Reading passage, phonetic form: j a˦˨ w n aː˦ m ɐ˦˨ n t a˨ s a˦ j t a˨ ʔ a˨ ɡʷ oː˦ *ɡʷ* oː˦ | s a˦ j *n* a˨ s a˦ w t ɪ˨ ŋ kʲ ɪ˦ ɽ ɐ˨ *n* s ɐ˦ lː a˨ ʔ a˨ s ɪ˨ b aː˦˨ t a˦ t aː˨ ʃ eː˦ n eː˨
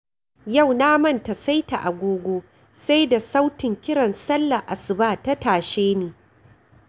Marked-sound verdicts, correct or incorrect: correct, incorrect, correct

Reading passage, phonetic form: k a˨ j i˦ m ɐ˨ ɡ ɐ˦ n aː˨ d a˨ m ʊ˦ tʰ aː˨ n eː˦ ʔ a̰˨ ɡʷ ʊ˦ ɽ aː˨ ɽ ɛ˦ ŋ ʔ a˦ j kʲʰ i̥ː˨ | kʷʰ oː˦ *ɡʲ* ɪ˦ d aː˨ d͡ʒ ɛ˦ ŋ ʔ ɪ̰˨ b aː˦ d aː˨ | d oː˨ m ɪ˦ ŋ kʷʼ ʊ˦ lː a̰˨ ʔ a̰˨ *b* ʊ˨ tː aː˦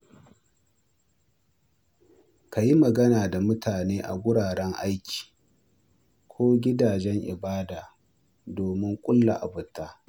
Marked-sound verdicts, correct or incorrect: correct, correct

